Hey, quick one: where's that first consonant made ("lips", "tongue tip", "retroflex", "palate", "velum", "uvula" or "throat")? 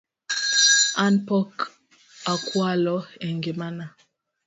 tongue tip